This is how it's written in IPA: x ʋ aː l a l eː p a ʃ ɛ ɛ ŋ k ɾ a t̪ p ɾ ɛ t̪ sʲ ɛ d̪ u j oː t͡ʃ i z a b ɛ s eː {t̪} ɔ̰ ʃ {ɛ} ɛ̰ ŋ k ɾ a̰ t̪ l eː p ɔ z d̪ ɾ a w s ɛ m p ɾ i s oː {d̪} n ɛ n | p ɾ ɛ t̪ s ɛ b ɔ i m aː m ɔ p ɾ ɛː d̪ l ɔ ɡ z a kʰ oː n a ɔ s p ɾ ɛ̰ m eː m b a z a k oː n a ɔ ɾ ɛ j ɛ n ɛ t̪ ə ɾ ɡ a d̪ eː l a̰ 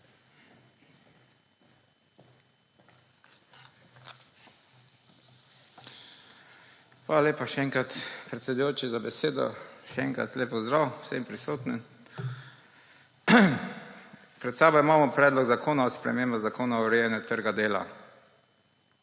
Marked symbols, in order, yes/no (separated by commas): no, yes, no